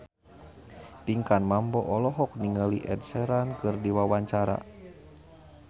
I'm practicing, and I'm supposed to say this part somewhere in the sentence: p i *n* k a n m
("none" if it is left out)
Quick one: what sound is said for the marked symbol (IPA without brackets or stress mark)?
ŋ